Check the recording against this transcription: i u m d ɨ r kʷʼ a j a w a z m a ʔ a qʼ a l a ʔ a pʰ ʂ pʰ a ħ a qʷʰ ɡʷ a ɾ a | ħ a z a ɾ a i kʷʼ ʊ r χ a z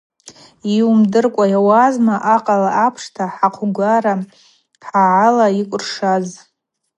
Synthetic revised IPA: i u m d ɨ r kʷʼ a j a w a z m a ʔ a qʼ a l a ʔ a pʰ ʂ tʰ a ħ a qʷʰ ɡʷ a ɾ a | ħ a ʕ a l a i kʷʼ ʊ r ʂ a z

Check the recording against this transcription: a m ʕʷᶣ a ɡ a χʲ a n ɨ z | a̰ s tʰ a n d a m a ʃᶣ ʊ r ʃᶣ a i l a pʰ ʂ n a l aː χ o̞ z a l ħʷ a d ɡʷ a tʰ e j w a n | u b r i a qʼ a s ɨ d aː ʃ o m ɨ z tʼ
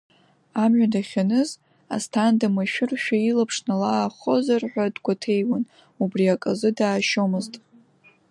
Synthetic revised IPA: a m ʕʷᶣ a d a χʲ a n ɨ z | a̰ s tʰ a n d a m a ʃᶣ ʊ r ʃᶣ a i l a pʰ ʂ n a l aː χ o̞ z a r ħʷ a d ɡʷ a tʰ e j w a n | u b r i a kʼ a z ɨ d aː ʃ o m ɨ z tʼ

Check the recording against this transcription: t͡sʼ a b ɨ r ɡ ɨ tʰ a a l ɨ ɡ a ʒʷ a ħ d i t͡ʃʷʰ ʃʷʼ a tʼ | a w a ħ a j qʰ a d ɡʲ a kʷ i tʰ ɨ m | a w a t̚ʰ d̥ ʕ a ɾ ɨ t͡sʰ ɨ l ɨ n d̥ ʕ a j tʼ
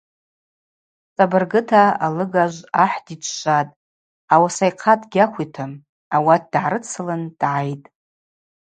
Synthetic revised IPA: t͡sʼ a b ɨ r ɡ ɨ tʰ a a l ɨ ɡ a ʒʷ a ħ d i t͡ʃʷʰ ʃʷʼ a tʼ | a w a s a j qʰ a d ɡʲ a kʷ i tʰ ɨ m | a w a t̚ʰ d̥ ʕ a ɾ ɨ t͡sʰ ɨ l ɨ n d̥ ʕ a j tʼ

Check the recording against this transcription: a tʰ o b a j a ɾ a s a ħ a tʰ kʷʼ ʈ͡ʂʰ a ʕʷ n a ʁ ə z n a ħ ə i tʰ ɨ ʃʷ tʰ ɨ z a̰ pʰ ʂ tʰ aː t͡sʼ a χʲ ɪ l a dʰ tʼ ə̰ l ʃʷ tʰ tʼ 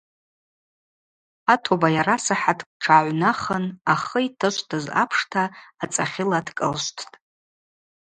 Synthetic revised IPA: a tʰ o b a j a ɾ a s a ħ a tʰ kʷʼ ʈ͡ʂʰ a ʕʷ n a χ ə n a χ ə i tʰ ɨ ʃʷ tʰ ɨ z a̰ pʰ ʂ tʰ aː t͡sʼ a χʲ ɪ l a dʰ kʼ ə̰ l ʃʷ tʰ tʼ

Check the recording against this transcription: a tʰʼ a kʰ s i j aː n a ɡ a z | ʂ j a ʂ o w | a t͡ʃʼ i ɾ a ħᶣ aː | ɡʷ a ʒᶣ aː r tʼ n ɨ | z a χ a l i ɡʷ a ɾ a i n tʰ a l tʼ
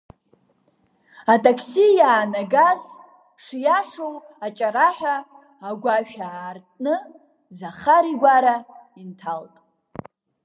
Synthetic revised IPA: a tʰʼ a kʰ s i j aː n a ɡ a z | ʂ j a ʂ o w | a t͡ʃʼ a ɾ a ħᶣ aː | ɡʷ a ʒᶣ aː r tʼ n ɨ | z a χ a ɾ i ɡʷ a ɾ a i n tʰ a l tʼ

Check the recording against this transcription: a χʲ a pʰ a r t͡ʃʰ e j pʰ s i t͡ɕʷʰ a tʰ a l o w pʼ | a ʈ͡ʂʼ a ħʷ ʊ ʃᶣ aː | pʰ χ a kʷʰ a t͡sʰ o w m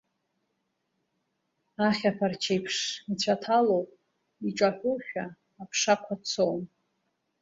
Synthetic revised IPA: a χʲ a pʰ a r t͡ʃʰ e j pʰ ʂ i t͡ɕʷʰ a tʰ a l o w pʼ | i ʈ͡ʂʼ a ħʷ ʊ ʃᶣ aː | pʰ ʂ a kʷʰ a t͡sʰ o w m

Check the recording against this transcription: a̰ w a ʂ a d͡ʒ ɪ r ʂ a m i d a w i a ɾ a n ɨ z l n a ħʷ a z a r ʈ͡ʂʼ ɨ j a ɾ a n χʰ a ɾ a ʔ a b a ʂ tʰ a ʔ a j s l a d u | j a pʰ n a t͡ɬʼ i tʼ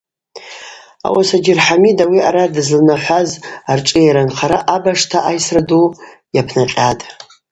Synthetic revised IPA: a̰ w a s a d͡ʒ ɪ r ħ a m i d a w i a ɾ a d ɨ z l n a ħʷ a z a r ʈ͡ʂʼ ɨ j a ɾ a n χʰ a ɾ a ʔ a b a ʂ tʰ a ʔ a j s r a d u | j a pʰ n a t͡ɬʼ a tʼ

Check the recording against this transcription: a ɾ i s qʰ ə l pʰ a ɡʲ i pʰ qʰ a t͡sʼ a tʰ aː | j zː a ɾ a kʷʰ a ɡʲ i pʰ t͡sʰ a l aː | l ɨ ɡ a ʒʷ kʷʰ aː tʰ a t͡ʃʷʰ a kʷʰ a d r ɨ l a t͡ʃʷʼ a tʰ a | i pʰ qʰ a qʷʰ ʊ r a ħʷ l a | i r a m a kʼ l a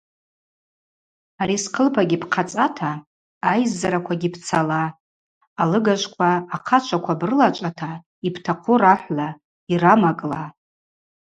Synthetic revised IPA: a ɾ i s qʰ ə l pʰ a ɡʲ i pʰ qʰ a t͡sʼ a tʰ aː | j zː a ɾ a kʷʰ a ɡʲ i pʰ t͡sʰ a l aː | l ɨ ɡ a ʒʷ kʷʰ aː qʰ a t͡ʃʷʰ a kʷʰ a b r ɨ l a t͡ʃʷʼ a tʰ a | i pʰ tʰ a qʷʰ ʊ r a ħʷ l a | i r a m a kʼ l a

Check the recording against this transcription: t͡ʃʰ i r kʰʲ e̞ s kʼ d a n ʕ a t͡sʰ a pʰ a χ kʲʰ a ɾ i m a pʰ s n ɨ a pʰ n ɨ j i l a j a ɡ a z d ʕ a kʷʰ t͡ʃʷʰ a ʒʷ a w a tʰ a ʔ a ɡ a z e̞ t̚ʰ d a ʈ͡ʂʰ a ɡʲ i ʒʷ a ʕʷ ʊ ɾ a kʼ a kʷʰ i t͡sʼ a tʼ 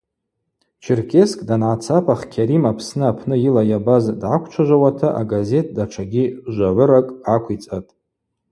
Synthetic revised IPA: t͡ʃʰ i r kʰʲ e̞ s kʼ d a n ʕ a t͡sʰ a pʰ a χ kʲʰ a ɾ i m a pʰ s n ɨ a pʰ n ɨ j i l a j a b a z d ʕ a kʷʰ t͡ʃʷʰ a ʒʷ a w a tʰ a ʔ a ɡ a z e̞ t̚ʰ d a ʈ͡ʂʰ a ɡʲ i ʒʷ a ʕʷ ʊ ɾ a kʼ a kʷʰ i t͡sʼ a tʼ

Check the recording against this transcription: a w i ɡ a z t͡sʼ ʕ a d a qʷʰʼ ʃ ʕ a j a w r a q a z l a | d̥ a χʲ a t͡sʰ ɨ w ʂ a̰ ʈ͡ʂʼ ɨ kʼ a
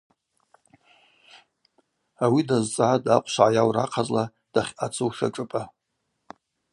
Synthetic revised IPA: a w i d a z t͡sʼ ʕ a d a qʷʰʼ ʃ ʕ a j a w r a qʰ a z l a | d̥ a χʲ a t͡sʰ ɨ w ʂ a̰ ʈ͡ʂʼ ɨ pʼ a

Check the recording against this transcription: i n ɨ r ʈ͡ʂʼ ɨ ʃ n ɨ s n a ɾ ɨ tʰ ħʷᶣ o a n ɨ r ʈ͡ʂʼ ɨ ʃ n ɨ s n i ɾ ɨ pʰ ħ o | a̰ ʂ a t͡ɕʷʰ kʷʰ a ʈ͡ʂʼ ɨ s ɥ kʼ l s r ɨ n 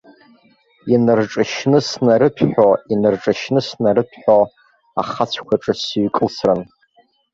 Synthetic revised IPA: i n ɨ r ʈ͡ʂʼ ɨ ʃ n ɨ s n a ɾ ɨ pʰ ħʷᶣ o i n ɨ r ʈ͡ʂʼ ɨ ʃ n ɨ s n a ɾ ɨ pʰ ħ o | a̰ χ a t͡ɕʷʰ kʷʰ a ʈ͡ʂʼ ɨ s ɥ kʼ l s r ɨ n

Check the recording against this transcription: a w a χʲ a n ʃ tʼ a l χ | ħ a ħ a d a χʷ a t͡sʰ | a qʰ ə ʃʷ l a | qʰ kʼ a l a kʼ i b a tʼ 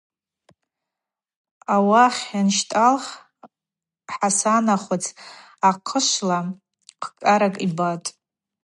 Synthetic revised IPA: a w a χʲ a n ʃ tʼ a l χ | ħ a s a n a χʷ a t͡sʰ | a qʰ ə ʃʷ l a | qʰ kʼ a ɾ a kʼ i b a tʼ

